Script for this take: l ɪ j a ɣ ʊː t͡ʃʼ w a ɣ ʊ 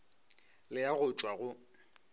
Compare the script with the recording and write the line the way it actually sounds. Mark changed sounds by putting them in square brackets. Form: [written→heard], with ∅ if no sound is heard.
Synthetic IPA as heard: l ɪ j a ɣ [ʊː→ʊ] t͡ʃʼ w a ɣ ʊ